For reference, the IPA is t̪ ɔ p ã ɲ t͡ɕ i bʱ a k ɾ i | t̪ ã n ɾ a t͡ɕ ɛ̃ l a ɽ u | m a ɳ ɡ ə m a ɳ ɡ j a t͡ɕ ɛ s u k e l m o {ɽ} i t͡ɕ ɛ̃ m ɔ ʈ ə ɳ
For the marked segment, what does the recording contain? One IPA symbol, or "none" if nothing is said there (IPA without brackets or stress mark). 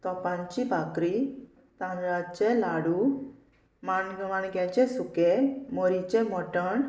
ɾ